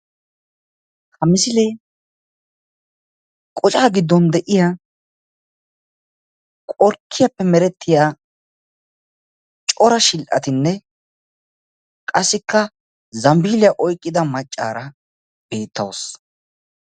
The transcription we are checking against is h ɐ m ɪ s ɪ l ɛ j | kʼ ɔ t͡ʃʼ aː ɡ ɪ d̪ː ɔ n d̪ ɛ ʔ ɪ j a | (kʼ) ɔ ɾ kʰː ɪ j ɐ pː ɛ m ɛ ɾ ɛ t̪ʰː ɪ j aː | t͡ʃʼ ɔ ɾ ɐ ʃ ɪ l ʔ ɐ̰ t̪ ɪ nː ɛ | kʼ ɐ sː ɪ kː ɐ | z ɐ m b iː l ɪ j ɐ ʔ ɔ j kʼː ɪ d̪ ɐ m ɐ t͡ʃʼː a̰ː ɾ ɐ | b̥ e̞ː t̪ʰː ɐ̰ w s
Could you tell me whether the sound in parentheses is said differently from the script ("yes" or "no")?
no